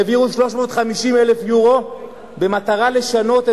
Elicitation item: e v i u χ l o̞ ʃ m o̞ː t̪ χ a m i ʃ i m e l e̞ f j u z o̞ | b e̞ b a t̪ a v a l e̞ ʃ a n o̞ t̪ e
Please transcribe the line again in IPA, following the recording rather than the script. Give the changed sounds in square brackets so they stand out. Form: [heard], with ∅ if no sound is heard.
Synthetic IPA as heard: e v i u [ʃ] l o̞ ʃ m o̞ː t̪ χ a m i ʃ i m e l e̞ f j u [ʁ] o̞ | b e̞ [m] a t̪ a [ʁ] a l e̞ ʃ a n o̞ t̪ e